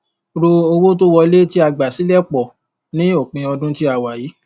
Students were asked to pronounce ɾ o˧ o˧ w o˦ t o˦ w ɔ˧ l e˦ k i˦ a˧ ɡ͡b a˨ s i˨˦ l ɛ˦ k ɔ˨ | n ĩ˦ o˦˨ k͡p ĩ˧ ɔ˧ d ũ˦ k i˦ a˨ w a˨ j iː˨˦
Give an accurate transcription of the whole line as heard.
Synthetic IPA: ɾ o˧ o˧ w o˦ t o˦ w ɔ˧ l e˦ t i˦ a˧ ɡ͡b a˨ s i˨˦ l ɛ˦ k͡p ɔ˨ | n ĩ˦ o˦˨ k͡p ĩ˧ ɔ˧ d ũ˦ t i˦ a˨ w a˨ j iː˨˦